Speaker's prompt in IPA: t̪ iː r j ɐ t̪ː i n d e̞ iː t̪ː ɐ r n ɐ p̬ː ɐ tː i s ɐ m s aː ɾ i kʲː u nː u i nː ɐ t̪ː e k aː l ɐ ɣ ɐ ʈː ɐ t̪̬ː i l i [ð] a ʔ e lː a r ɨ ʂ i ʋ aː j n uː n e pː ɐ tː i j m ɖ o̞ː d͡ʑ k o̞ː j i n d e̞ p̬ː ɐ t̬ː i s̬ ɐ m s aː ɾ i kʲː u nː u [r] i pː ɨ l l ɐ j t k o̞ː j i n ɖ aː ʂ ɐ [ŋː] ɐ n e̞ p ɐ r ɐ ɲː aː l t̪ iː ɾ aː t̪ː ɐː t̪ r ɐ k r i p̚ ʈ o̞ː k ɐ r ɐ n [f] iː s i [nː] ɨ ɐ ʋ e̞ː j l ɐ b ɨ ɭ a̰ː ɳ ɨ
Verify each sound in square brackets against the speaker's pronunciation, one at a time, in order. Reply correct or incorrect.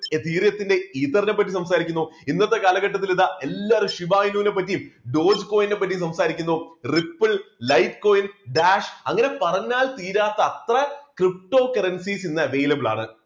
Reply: correct, correct, correct, incorrect, correct

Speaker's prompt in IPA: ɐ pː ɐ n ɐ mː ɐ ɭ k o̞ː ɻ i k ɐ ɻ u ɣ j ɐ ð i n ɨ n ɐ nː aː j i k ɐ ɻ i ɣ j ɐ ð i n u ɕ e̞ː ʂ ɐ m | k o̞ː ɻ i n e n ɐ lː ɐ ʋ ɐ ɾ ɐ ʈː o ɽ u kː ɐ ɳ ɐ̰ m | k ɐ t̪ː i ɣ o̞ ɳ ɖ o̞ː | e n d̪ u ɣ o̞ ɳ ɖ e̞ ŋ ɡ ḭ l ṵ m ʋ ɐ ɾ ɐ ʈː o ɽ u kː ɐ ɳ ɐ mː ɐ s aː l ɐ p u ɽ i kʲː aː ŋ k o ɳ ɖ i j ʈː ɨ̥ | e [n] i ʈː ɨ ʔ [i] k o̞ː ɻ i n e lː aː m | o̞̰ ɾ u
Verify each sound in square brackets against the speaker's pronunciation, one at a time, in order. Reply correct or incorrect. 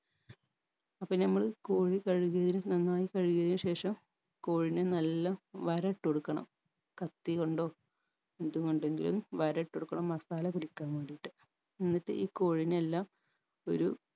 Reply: incorrect, incorrect

